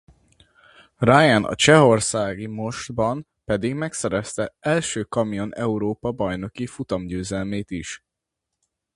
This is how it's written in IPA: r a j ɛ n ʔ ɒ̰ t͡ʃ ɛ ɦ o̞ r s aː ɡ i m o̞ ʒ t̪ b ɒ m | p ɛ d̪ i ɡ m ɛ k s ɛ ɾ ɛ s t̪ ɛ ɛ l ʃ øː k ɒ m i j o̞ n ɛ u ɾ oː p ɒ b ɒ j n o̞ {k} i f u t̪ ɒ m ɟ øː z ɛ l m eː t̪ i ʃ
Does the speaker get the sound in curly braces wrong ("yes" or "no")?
no